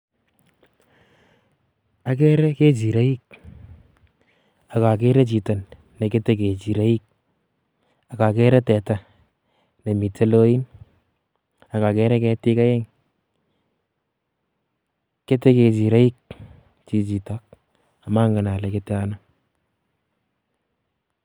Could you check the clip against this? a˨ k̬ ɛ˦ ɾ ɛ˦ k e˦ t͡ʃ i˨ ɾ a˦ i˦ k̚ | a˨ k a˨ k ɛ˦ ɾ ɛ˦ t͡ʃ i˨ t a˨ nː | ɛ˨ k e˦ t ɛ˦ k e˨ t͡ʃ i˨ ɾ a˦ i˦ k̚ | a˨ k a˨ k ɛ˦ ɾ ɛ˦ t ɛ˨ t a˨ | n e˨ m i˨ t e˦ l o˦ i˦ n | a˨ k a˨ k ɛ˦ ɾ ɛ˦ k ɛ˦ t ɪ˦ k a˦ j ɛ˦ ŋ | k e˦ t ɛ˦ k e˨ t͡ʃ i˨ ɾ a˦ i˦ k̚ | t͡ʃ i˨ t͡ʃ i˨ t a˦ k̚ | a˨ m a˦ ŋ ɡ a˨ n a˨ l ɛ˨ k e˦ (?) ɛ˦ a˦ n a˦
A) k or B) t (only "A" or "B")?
B